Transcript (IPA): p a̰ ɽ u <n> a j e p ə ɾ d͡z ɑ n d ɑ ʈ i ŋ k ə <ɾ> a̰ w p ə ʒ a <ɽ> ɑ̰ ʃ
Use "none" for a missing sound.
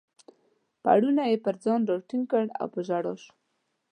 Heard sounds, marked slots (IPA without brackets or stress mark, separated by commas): n, ɽ, ɽ